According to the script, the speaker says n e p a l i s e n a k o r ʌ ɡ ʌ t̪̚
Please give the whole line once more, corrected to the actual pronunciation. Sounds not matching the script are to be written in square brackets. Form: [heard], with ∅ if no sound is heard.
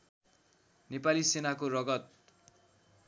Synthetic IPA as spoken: n e p a l i s e n a k o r ʌ ɡ ʌ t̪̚